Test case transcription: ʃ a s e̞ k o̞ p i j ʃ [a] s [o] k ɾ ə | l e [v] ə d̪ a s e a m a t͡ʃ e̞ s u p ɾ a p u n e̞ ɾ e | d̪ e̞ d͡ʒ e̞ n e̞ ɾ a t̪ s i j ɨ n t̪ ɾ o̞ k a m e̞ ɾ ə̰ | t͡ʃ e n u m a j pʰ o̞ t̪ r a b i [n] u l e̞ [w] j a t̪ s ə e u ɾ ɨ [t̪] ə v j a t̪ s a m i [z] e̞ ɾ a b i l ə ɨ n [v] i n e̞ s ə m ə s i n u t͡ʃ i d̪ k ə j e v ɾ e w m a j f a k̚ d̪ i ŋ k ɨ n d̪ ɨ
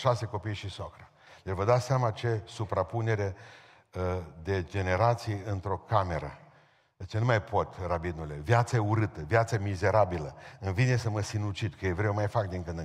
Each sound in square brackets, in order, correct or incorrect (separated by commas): incorrect, correct, correct, correct, incorrect, correct, correct, correct